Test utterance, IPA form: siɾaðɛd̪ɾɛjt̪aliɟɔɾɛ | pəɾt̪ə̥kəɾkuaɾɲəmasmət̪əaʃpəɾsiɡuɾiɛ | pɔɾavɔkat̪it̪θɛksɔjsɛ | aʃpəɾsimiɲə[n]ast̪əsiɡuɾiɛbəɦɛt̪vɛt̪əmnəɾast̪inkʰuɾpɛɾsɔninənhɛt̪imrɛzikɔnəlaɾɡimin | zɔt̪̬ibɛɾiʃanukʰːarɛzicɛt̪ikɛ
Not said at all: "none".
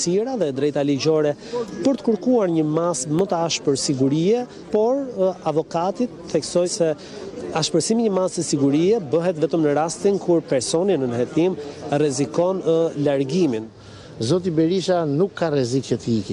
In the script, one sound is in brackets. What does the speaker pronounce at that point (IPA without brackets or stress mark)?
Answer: m